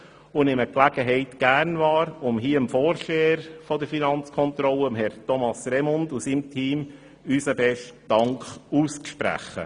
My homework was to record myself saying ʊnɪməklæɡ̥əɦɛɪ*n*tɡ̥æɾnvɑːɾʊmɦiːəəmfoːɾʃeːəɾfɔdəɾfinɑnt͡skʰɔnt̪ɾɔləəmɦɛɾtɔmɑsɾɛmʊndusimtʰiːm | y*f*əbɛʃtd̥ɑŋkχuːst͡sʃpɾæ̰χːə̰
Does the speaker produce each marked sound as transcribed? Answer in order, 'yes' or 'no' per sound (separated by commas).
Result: no, no